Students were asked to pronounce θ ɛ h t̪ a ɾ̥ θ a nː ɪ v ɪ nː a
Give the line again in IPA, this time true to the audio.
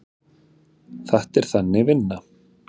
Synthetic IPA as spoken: θ a h t̪ ɛ ɾ̥ θ a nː ɪ v ɪ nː a